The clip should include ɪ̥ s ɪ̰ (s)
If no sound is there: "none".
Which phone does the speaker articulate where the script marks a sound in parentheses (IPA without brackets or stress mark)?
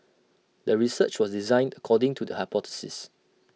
s